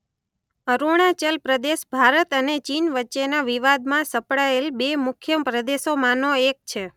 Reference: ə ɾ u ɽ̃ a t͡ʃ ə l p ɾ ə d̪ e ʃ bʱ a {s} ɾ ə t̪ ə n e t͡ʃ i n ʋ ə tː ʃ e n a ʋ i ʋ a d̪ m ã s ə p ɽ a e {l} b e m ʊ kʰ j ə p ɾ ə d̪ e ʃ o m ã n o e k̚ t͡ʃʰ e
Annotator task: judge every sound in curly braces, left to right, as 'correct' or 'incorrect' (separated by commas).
incorrect, correct